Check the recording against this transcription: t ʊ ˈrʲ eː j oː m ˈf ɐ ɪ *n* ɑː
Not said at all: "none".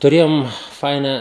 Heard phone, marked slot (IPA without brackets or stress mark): n